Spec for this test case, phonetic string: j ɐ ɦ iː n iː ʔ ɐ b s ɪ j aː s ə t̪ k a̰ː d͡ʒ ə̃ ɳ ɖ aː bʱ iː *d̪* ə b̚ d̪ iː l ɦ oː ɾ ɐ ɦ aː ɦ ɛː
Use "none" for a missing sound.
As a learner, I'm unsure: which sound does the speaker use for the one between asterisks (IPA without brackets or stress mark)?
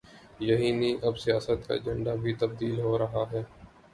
t̪